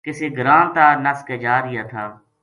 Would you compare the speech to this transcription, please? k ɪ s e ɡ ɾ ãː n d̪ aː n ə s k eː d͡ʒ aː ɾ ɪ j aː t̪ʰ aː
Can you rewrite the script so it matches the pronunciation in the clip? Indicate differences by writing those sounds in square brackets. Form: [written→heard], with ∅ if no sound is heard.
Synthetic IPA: k ɪ s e ɡ ɾ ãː n [d̪→t̪] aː n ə s k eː d͡ʒ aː ɾ ɪ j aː t̪ʰ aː